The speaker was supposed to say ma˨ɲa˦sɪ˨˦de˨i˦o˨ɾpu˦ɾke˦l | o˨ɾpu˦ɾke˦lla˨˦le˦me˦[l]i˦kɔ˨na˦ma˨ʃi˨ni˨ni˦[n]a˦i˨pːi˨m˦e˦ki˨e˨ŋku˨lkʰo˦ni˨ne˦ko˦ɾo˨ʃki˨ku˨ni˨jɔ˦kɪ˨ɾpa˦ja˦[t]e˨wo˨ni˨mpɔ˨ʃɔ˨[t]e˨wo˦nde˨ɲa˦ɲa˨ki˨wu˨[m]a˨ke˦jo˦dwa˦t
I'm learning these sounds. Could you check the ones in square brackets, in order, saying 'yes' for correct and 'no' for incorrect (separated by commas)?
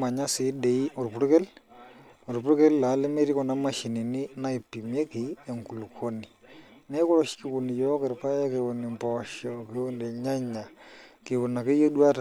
no, yes, no, no, no